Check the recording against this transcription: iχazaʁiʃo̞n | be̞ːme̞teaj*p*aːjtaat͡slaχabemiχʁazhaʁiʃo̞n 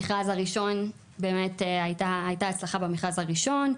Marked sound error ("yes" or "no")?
yes